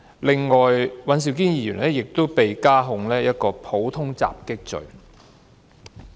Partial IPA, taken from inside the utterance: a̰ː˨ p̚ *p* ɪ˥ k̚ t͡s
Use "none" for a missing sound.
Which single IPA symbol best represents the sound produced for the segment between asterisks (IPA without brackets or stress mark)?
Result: k